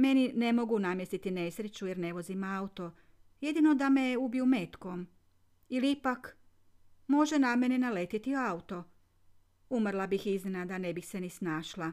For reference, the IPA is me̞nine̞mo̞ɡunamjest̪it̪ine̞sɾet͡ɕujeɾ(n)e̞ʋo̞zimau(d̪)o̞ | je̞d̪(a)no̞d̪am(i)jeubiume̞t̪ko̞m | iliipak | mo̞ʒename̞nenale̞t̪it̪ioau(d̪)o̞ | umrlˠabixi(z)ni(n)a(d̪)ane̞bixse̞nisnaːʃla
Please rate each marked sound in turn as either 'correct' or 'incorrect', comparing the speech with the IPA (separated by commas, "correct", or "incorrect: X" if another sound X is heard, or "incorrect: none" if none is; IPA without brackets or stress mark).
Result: correct, incorrect: t̪, incorrect: i, incorrect: e, incorrect: t̪, correct, correct, correct